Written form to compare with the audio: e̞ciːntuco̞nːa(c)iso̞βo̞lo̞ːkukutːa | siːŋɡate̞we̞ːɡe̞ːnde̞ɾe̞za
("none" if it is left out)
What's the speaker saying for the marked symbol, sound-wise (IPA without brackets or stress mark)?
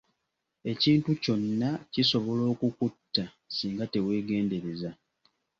c